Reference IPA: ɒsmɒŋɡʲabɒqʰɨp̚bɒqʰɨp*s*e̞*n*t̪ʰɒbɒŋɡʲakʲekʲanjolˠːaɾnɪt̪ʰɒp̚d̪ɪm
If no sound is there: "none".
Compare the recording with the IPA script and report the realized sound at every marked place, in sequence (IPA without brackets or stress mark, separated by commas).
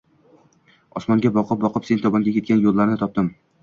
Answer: s, n